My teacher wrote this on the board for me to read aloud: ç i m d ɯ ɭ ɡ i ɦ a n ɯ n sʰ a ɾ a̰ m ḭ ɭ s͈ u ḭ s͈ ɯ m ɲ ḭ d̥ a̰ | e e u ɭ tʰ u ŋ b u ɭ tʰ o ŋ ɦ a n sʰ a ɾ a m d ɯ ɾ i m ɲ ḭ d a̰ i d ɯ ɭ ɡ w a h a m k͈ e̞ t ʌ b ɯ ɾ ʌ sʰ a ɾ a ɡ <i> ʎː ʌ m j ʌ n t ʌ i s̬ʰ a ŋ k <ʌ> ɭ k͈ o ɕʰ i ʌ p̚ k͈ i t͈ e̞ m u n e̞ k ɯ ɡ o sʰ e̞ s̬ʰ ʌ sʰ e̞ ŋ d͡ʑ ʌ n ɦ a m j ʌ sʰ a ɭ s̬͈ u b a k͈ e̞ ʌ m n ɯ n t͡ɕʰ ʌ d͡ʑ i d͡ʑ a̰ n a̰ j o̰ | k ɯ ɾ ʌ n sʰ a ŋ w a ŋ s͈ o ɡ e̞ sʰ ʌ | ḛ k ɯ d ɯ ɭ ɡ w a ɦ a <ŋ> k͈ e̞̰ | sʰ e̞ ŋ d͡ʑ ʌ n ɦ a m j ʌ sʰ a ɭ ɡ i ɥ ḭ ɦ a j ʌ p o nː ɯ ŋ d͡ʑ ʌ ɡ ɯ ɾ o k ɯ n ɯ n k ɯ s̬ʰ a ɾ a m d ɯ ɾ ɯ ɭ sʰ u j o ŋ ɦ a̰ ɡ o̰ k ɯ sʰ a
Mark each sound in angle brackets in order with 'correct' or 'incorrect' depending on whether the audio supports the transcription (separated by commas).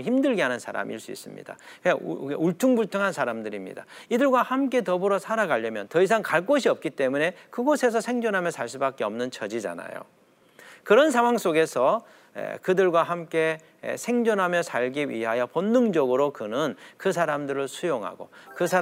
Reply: incorrect, incorrect, incorrect